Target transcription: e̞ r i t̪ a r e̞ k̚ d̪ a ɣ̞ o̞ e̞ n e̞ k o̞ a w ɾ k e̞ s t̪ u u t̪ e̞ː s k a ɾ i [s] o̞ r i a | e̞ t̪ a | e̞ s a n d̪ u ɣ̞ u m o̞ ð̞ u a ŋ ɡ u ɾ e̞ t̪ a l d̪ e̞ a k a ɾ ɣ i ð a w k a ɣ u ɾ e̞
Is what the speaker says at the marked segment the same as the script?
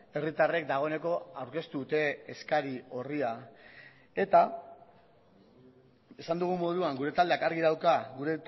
no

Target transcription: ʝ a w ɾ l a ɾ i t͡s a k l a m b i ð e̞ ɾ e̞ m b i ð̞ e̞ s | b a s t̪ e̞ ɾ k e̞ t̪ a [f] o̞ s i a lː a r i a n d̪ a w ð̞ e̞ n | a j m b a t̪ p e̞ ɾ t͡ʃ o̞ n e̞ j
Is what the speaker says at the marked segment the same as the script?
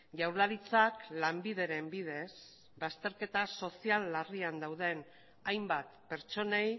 no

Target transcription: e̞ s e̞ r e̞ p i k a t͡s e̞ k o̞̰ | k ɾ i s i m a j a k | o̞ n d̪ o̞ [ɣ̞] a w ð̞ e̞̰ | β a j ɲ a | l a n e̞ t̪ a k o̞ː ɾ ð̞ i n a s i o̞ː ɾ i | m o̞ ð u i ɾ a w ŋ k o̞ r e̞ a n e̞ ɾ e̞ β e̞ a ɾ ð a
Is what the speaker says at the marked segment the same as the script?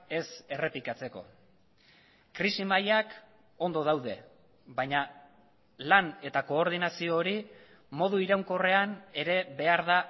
no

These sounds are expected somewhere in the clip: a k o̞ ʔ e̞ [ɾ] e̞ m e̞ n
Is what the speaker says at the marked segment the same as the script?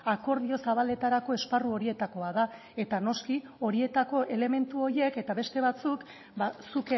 no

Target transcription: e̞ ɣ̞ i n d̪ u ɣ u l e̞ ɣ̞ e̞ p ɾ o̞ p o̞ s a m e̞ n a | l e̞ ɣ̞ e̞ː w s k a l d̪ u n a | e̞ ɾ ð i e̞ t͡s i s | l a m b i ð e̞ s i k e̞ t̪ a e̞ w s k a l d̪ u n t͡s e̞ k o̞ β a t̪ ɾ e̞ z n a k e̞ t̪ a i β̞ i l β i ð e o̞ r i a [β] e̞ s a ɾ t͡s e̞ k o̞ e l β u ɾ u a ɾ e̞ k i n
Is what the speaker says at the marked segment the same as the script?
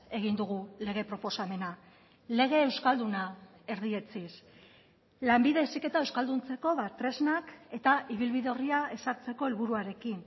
no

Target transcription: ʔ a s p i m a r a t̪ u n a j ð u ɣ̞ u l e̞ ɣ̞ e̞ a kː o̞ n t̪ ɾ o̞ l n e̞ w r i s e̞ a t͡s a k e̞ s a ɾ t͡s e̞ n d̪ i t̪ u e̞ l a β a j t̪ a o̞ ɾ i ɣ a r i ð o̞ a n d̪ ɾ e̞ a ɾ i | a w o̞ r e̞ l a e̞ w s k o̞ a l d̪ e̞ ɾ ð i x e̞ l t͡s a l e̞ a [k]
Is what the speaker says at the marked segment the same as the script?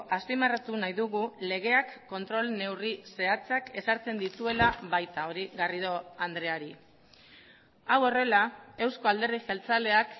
yes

